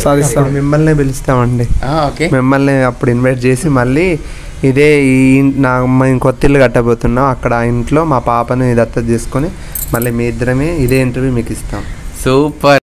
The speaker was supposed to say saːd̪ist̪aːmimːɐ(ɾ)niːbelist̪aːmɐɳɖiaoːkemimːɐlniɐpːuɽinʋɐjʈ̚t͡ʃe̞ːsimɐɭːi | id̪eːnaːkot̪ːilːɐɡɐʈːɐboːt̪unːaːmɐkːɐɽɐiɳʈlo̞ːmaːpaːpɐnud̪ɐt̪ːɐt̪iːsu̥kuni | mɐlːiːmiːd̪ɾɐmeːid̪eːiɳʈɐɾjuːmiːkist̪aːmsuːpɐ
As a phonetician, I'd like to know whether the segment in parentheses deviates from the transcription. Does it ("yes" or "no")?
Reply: yes